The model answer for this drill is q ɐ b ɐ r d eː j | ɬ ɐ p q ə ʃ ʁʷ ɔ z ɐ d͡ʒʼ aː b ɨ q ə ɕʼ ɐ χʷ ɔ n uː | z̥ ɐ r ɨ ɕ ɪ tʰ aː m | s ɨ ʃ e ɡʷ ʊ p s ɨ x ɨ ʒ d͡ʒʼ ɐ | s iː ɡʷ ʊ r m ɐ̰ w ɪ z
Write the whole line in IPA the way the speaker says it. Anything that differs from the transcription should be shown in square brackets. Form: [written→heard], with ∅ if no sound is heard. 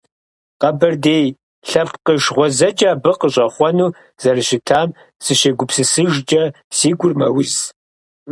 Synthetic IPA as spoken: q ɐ b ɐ r d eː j | ɬ ɐ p q ə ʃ ʁʷ ɔ z ɐ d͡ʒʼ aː b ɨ q ə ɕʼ ɐ χʷ ɔ n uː | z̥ ɐ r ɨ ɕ ɪ tʰ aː m | s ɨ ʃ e ɡʷ ʊ p s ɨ [x→s] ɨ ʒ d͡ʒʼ ɐ | s iː ɡʷ ʊ r m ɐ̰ w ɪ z